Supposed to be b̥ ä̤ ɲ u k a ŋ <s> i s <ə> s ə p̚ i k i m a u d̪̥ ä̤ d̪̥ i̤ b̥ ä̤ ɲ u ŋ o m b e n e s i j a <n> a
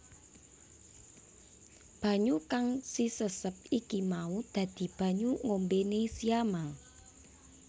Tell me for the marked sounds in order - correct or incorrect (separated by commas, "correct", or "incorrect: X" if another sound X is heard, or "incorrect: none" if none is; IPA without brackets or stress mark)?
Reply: correct, correct, incorrect: m